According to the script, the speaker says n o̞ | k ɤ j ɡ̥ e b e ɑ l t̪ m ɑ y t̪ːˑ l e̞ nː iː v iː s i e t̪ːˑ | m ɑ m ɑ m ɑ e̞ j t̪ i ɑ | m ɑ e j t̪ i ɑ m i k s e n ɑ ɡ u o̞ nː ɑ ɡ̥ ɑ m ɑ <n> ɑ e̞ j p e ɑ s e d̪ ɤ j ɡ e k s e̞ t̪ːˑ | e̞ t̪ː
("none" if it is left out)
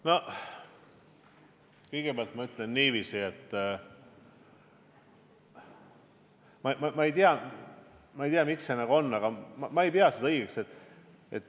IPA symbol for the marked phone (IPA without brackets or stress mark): m